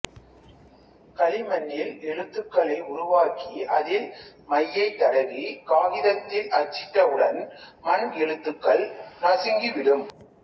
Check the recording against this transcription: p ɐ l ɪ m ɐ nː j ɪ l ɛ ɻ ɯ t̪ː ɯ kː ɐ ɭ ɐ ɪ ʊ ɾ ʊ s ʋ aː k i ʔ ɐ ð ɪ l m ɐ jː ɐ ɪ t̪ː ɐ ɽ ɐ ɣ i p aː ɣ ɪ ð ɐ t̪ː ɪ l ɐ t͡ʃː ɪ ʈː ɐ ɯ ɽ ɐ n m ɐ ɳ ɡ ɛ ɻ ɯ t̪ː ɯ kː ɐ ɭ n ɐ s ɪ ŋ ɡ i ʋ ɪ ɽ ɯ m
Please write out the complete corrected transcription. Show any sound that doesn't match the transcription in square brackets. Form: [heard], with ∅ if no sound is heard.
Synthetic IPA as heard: [k] ɐ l ɪ m ɐ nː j ɪ l ɛ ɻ ɯ t̪ː ɯ kː ɐ ɭ ɐ ɪ ʊ ɾ ʊ [∅] ʋ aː k i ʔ ɐ ð ɪ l m ɐ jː ɐ ɪ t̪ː ɐ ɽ ɐ ɣ i [k] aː ɣ ɪ ð ɐ t̪ː ɪ l ɐ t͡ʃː ɪ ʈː ɐ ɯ ɽ ɐ n m ɐ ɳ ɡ ɛ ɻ ɯ t̪ː ɯ kː ɐ ɭ n ɐ s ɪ ŋ ɡ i ʋ ɪ ɽ ɯ m